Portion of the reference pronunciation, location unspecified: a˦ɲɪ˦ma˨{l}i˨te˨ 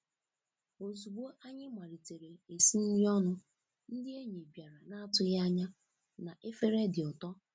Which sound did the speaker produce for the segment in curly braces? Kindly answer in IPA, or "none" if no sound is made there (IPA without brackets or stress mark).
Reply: ɾ